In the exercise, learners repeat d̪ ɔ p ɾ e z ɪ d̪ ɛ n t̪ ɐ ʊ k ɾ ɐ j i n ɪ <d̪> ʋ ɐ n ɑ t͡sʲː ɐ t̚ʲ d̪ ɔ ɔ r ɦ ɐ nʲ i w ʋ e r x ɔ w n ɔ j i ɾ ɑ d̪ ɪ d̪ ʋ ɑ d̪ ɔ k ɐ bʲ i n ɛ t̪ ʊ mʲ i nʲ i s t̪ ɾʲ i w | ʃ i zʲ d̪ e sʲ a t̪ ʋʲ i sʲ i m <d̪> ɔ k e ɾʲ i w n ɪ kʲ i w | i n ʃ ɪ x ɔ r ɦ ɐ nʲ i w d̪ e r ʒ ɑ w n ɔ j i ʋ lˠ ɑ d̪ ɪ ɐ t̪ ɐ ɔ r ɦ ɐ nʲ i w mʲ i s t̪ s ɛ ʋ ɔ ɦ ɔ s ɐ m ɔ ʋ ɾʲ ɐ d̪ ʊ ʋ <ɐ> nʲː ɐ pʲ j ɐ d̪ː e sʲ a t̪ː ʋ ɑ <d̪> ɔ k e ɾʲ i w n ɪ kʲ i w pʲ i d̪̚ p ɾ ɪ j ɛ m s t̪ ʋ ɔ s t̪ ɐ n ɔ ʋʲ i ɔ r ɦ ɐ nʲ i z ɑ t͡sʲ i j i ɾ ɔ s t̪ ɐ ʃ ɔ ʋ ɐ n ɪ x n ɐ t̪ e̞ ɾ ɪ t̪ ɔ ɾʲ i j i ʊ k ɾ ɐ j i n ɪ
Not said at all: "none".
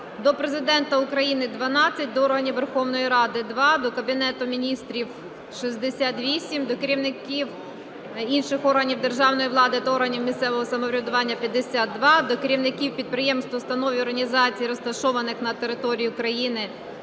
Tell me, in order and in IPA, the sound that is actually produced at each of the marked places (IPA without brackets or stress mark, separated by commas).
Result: d̪, d̪, ɑ, d̪